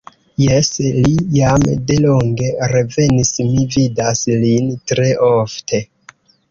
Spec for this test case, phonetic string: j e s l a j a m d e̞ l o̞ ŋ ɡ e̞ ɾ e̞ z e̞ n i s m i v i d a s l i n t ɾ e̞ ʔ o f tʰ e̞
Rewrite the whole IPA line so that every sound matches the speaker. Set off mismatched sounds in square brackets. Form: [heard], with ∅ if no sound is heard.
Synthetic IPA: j e s l [i] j a m d e̞ l o̞ ŋ ɡ e̞ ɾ e̞ [v] e̞ n i s m i v i d a s l i n t ɾ e̞ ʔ o f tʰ e̞